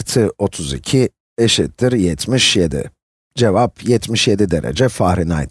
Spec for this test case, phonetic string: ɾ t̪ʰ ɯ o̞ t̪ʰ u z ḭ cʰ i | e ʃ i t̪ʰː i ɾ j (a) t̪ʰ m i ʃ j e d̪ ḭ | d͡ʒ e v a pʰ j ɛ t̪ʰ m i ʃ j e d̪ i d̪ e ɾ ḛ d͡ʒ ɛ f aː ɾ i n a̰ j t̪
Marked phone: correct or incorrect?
incorrect